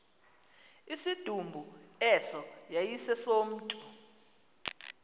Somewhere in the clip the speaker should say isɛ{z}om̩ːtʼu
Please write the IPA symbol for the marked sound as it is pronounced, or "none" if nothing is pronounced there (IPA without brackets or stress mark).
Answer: s